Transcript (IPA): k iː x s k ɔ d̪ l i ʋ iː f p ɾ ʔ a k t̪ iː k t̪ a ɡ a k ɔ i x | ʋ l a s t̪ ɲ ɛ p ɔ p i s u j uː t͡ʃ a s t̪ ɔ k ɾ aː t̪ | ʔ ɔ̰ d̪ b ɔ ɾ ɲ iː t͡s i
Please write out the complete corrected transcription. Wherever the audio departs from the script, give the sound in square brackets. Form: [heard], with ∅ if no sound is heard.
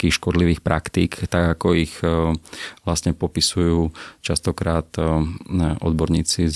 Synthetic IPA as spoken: k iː x [ʃ] k ɔ d̪ l i ʋ iː [x] p ɾ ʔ a k t̪ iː k t̪ a ɡ a k ɔ i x | ʋ l a s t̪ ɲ ɛ p ɔ p i s u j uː t͡ʃ a s t̪ ɔ k ɾ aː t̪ | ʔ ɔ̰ d̪ b ɔ ɾ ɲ iː t͡s i